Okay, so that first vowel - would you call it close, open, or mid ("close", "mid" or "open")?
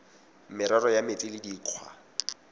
close